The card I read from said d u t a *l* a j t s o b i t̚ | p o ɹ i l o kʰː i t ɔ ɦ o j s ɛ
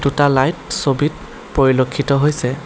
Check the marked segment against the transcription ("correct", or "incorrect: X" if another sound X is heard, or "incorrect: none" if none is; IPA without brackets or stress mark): correct